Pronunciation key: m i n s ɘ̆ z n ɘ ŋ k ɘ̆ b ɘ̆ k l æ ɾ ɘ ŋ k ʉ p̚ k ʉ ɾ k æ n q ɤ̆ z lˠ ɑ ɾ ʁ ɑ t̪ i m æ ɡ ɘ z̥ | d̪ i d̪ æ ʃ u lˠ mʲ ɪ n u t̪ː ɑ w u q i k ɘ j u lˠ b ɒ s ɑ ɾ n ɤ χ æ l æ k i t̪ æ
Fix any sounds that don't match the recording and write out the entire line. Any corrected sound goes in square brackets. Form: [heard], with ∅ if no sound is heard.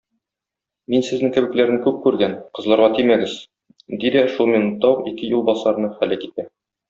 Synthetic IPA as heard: m i n s ɘ̆ z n ɘ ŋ k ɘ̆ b ɘ̆ k l æ ɾ ɘ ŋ k ʉ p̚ k ʉ ɾ [ɡ] æ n q ɤ̆ z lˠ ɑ ɾ ʁ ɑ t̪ i m æ ɡ ɘ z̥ | d̪ i d̪ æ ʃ u lˠ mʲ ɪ n u t̪ː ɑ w u q i k ɘ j u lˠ b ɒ s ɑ ɾ n ɤ χ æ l æ k i t̪ æ